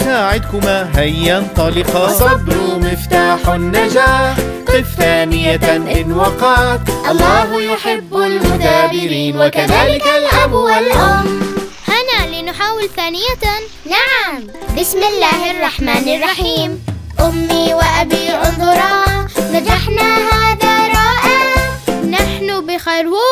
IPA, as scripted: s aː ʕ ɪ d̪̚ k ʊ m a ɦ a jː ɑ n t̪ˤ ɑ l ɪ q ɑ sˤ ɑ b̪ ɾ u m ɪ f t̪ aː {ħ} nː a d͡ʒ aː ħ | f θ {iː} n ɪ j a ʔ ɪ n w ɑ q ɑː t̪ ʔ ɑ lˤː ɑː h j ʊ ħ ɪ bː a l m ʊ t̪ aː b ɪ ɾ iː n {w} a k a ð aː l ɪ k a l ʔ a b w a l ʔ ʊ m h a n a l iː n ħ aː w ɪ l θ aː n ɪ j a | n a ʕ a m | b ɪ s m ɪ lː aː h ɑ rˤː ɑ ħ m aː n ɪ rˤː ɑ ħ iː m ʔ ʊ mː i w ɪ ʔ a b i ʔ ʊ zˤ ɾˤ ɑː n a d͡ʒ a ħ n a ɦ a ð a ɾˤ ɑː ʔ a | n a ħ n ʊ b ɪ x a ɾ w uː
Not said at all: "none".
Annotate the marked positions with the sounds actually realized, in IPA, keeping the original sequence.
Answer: ħ, aː, w

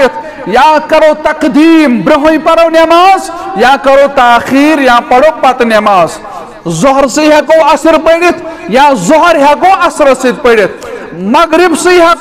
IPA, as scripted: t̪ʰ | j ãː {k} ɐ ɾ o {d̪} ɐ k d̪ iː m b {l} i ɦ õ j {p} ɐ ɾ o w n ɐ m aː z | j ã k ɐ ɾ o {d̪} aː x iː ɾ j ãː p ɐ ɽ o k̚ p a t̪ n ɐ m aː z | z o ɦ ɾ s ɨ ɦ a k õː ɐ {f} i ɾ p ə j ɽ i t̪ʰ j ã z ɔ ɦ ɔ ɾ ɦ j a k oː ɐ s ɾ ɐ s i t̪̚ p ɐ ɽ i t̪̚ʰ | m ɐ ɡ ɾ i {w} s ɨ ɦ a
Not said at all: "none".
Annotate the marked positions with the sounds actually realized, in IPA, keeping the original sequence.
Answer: k, t̪, ɾ, p, t̪, s, b

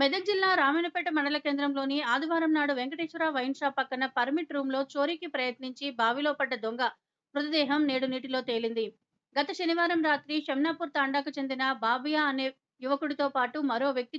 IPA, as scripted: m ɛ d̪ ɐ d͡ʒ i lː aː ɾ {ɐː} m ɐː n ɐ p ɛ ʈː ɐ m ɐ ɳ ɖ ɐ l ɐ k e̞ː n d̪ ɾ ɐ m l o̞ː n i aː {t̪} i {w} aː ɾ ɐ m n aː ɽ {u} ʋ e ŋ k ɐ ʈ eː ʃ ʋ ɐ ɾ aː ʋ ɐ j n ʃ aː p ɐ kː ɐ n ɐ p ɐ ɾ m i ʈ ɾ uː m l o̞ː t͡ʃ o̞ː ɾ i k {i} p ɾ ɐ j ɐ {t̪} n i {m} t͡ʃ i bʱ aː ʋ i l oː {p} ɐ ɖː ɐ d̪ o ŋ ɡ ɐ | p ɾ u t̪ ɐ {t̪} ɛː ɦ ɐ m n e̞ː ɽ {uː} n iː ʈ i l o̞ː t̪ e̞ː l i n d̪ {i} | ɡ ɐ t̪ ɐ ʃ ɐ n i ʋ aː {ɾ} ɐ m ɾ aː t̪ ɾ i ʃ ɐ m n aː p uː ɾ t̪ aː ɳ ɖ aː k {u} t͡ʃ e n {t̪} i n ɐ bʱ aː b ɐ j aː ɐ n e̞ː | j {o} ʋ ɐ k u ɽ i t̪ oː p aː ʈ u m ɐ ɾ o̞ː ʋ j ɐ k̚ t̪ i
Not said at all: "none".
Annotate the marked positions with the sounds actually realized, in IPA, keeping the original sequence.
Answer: aː, d̪, ʋ, u, i, t̪, ɲ, p, d̪, u, i, ɾ, u, d̪, u

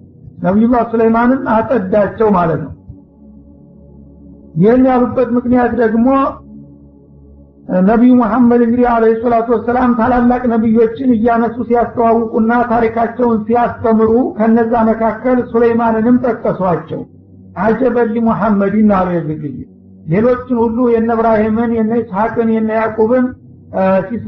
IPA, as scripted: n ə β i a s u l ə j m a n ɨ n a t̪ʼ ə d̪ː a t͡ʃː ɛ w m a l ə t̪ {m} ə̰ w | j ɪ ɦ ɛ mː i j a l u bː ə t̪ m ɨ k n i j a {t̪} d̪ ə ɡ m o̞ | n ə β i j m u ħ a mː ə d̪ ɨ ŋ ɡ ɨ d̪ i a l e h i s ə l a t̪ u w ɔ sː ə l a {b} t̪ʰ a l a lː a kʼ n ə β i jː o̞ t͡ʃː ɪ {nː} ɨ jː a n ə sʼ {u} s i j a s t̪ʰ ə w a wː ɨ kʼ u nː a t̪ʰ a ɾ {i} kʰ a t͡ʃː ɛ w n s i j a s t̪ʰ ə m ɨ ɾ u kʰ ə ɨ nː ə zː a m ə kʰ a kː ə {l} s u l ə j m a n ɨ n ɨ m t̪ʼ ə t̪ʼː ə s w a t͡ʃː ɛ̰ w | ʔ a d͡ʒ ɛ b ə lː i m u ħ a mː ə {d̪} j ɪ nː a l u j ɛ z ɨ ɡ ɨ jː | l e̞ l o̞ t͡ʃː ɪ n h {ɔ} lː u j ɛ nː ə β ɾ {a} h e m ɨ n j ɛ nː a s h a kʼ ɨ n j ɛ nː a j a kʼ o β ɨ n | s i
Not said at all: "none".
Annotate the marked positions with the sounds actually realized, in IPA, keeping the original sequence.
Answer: n, t̪, m, n, u, i, l, d̪, u, a

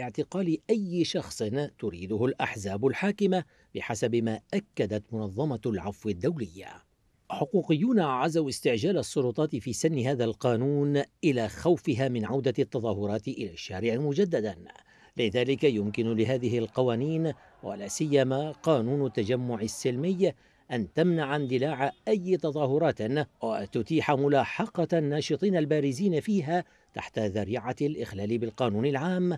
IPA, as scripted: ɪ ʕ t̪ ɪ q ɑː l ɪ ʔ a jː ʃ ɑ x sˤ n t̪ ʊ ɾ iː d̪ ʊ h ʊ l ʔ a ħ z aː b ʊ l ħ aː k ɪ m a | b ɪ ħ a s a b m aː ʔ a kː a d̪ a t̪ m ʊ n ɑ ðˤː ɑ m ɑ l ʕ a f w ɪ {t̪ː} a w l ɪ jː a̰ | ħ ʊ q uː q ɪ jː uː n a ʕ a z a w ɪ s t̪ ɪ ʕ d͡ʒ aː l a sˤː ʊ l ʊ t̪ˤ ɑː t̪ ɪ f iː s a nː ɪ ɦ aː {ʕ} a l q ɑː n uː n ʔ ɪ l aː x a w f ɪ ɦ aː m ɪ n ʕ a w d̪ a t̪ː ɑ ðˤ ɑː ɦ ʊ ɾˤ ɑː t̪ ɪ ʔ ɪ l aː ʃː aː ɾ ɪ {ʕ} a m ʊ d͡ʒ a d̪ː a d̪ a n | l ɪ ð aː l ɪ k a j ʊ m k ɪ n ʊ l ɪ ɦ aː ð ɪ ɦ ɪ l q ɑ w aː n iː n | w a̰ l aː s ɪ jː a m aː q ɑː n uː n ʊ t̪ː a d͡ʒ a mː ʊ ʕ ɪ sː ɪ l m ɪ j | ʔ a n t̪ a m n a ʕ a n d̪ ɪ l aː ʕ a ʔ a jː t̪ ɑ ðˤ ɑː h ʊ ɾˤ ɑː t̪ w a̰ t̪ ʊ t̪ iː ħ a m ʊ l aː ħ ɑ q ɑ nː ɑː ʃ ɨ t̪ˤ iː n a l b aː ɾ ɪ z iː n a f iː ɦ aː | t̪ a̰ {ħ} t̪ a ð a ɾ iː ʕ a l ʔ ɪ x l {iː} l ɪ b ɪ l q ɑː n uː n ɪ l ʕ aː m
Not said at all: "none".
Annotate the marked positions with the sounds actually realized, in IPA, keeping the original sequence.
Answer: d̪ː, ð, ʕ, ħ, aː

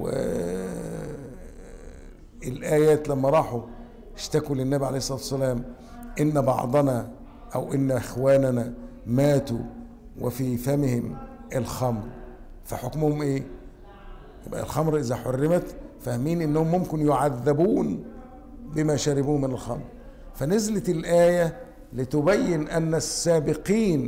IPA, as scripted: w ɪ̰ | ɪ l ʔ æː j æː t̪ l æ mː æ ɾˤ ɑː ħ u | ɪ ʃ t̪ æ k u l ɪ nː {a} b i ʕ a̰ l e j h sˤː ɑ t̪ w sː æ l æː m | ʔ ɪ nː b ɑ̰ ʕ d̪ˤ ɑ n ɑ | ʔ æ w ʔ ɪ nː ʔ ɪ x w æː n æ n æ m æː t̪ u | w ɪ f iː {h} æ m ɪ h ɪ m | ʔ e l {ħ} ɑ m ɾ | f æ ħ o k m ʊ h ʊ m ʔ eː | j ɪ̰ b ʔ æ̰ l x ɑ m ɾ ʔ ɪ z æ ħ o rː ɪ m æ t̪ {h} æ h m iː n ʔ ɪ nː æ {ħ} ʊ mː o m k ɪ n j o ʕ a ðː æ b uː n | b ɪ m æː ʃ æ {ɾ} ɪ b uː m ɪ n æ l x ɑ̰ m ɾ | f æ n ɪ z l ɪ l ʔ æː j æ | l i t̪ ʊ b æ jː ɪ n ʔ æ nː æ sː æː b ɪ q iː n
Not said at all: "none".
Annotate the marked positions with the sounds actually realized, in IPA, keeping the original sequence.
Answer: æ, f, x, f, h, ɾ

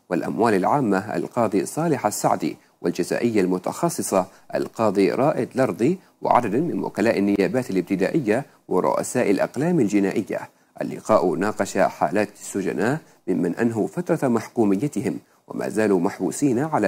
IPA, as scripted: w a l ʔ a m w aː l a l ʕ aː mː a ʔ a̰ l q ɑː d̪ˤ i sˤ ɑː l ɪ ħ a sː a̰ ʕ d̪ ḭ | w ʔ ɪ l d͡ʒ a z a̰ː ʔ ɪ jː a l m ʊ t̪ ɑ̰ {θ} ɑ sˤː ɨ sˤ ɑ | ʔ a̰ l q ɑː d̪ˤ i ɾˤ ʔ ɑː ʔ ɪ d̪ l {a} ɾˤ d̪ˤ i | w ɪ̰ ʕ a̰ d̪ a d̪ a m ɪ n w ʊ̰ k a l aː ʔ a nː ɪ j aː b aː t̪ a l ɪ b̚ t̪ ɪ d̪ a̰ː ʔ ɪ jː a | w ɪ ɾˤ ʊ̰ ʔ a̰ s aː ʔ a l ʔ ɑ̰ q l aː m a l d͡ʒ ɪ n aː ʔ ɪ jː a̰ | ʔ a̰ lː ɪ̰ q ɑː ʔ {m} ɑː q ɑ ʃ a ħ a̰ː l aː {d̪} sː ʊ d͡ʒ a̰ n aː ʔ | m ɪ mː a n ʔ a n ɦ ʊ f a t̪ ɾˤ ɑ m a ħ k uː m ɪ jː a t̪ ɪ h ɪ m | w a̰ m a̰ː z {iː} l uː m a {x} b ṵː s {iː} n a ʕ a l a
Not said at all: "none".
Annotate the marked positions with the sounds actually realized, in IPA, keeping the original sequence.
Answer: x, ɑ, n, t̪, aː, ħ, iː

